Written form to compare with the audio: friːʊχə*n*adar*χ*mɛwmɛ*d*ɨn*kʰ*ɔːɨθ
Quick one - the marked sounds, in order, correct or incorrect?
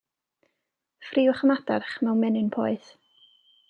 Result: incorrect, correct, incorrect, incorrect

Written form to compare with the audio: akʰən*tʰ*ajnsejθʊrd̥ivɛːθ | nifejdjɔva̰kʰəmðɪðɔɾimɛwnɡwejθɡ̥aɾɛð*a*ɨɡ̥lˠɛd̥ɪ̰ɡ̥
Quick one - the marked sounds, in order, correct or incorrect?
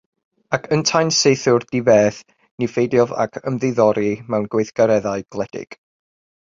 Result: correct, correct

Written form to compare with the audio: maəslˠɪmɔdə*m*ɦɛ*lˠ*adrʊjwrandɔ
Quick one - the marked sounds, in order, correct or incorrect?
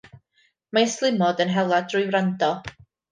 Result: incorrect, correct

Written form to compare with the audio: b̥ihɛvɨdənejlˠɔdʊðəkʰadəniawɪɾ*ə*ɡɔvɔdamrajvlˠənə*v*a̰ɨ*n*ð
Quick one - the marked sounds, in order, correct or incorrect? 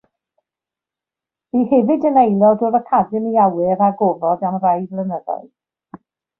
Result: incorrect, incorrect, incorrect

